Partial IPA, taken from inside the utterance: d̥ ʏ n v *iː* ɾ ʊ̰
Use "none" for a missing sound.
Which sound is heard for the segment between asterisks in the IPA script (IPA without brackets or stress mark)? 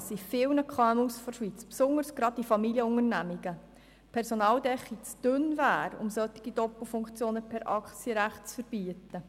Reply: æː